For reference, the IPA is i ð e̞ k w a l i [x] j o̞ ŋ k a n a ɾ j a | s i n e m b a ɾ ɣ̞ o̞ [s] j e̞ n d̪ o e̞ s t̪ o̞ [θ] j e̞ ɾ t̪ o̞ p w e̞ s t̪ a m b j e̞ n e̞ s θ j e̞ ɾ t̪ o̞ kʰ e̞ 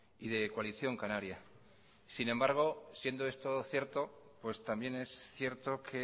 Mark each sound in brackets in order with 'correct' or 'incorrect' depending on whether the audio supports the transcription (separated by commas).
incorrect, correct, correct